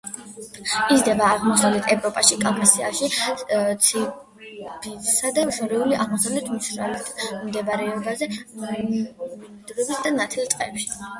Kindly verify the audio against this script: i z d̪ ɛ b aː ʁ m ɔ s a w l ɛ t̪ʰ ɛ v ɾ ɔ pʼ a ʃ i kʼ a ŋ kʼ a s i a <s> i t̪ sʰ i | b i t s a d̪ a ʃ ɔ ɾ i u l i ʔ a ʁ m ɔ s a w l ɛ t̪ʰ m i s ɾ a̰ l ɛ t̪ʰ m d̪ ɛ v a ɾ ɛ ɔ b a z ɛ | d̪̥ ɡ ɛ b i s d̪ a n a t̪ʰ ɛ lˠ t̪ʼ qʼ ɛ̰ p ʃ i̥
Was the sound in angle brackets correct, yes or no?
no